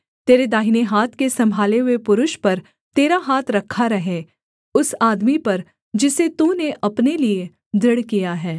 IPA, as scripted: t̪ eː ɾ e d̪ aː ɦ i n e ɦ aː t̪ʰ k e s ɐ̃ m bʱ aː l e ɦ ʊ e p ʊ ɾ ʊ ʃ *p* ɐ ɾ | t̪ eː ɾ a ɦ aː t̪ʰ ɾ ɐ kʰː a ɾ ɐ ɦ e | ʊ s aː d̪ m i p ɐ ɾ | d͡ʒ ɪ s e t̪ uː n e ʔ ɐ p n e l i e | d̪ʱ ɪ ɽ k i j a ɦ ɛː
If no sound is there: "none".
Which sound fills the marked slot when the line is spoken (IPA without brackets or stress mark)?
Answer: p